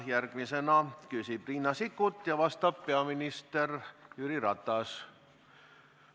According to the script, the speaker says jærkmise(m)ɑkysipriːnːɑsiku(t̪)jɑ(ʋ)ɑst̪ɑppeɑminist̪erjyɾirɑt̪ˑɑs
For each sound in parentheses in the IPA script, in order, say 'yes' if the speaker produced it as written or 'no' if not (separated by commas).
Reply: no, yes, yes